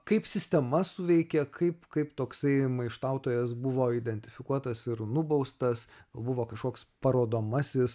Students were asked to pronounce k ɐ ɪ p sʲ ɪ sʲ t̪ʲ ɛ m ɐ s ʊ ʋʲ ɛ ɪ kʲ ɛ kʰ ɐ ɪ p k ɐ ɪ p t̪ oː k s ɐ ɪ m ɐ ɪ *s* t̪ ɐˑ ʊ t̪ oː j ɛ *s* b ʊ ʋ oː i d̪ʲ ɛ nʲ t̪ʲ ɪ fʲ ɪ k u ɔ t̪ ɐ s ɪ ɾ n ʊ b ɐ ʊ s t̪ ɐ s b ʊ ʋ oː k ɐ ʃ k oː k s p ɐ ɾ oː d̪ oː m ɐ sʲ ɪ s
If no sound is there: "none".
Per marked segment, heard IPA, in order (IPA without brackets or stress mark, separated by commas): ʃ, s